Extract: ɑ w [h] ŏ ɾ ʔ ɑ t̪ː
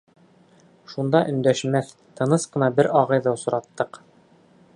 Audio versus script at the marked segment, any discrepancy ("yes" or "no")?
yes